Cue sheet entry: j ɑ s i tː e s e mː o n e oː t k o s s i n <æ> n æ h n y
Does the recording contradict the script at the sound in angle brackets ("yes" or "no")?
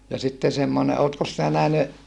no